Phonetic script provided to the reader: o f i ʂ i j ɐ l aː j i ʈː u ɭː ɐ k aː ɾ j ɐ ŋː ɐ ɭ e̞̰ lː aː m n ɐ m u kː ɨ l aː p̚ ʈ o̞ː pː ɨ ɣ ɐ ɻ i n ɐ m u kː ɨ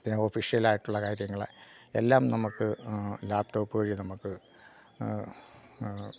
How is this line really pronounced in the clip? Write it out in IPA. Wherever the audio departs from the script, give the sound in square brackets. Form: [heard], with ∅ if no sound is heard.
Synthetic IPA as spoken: o f i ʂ i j ɐ l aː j i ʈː u ɭː ɐ k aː ɾ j ɐ ŋː ɐ ɭ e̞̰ lː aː m n ɐ m u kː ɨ l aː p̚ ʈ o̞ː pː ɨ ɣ ɐ ɻ i n ɐ m u kː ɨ